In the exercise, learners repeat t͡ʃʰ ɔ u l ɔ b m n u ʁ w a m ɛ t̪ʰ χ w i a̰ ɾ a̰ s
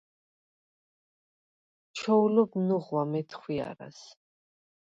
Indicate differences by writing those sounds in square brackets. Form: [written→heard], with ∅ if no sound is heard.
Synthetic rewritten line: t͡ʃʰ ɔ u l ɔ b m n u ʁ w a m ɛ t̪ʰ χ w i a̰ ɾ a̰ s